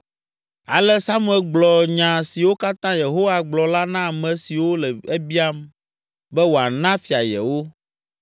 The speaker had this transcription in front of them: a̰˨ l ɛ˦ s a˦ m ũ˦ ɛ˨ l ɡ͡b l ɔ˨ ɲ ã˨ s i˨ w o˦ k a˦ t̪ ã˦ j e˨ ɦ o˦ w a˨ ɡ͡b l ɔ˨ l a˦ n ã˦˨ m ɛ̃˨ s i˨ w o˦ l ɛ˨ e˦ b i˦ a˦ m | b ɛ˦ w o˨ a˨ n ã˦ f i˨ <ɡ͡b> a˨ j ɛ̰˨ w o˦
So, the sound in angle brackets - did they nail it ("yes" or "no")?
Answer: no